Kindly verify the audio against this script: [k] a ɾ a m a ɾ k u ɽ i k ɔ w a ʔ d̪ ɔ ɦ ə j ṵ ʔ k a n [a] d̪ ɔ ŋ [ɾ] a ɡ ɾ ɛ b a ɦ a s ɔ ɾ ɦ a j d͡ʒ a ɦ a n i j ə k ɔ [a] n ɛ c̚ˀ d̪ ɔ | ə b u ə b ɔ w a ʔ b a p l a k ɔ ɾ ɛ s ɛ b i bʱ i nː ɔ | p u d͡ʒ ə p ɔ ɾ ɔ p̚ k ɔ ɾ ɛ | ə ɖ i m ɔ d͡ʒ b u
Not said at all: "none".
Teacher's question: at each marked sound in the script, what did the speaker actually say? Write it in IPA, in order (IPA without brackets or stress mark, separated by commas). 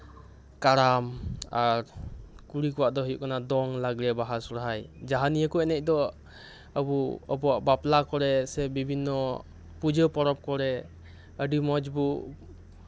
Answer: k, a, l, ɛ